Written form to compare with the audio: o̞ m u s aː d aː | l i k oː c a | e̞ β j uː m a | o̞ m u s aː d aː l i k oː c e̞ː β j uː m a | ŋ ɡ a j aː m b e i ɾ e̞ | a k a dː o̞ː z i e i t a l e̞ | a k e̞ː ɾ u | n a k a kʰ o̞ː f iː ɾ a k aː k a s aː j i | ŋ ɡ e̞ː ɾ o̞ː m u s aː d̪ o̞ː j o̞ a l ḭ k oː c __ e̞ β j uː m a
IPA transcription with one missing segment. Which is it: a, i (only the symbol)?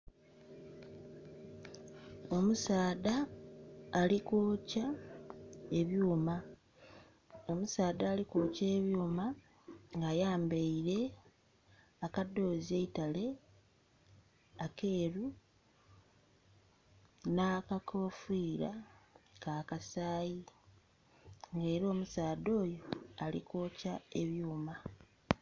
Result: a